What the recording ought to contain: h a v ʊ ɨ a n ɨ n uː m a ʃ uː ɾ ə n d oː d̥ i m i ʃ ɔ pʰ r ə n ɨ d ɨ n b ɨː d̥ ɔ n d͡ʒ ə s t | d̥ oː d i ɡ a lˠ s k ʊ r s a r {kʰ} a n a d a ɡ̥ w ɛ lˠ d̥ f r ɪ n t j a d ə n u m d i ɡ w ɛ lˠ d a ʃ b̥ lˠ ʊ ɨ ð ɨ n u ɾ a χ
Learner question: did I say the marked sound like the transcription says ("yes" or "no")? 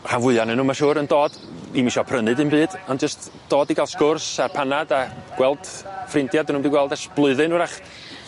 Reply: no